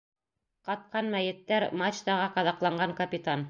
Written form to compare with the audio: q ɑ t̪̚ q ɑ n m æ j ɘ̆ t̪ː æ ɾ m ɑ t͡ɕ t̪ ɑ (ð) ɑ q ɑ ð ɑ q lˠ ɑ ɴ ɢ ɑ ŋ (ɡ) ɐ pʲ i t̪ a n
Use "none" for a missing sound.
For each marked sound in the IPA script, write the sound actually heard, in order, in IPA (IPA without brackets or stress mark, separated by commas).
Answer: ʁ, k